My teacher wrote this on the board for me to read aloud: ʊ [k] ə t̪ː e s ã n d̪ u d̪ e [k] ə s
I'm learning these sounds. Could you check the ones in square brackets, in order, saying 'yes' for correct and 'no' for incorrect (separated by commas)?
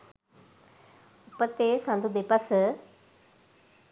no, no